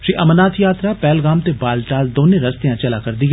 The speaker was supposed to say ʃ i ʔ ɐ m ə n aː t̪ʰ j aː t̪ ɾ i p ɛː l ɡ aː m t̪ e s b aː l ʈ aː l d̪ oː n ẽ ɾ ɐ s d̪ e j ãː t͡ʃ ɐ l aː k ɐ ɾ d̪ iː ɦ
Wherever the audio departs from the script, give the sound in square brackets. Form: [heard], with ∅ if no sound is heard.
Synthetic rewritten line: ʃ i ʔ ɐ m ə n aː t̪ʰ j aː t̪ ɾ [a] p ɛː l ɡ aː m t̪ e [∅] b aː l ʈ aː l d̪ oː n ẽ ɾ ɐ s [t̪] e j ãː t͡ʃ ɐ l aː k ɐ ɾ d̪ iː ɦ